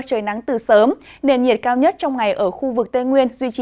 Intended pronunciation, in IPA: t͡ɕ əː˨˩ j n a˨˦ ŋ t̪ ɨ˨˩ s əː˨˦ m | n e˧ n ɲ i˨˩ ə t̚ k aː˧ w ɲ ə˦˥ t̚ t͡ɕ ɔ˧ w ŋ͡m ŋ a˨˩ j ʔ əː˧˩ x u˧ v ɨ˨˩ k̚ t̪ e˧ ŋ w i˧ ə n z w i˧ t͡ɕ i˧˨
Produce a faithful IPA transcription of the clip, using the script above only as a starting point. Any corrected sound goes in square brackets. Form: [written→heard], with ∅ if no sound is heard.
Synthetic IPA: t͡ɕ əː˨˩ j n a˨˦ ŋ t̪ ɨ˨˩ s əː˨˦ m | n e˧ n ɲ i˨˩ ə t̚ k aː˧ w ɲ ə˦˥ t̚ t͡ɕ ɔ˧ w ŋ͡m ŋ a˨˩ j ʔ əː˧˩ x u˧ v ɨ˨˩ k̚ t̪ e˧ ŋ w i˧ ə n z w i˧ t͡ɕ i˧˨

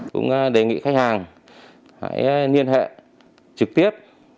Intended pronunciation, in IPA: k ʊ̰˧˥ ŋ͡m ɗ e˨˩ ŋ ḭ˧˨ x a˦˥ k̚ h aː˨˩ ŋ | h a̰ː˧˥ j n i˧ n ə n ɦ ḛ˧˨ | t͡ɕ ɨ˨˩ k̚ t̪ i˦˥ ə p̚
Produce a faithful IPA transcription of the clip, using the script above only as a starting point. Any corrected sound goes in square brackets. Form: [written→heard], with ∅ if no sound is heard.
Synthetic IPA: k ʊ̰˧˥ ŋ͡m ɗ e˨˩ ŋ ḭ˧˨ x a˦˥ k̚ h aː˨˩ ŋ | h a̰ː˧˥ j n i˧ [n→∅] ə n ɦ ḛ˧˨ | t͡ɕ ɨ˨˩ k̚ t̪ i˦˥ ə p̚

